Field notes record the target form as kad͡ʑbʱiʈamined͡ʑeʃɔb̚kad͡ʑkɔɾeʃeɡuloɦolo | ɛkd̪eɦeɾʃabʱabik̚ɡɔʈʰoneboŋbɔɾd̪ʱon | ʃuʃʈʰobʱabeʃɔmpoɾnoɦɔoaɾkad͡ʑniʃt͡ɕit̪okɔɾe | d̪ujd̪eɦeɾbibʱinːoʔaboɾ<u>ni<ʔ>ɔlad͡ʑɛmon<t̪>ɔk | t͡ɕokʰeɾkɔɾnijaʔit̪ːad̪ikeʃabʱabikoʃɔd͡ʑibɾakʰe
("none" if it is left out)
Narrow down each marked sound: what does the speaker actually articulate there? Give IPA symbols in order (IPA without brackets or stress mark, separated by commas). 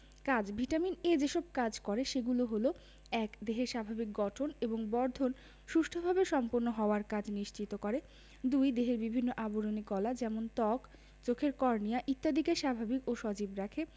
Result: o, k, t̪